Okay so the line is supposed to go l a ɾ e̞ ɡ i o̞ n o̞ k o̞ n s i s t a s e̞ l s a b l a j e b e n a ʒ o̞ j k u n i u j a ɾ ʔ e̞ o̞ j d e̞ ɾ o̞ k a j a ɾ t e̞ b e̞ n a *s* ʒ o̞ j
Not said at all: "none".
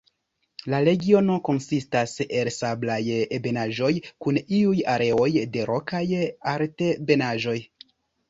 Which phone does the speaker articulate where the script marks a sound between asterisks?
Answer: none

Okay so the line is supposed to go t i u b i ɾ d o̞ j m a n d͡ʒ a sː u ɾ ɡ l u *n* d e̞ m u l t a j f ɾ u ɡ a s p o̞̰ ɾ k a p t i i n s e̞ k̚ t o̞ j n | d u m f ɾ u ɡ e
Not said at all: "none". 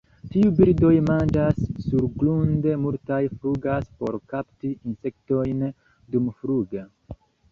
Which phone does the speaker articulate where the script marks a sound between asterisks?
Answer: n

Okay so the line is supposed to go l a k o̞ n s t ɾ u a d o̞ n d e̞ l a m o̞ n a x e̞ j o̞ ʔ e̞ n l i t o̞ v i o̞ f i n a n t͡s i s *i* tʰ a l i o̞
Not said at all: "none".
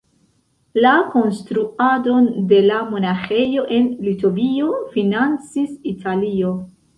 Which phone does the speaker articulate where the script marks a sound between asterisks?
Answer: i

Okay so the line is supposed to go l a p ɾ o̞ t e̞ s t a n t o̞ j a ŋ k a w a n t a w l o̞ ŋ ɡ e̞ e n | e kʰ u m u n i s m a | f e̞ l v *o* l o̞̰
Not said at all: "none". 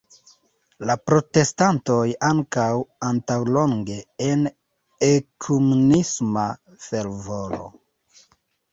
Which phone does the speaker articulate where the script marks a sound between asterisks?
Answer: o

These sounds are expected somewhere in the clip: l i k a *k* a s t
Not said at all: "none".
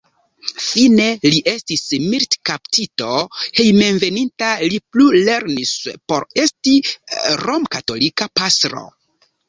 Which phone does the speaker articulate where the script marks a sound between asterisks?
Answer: p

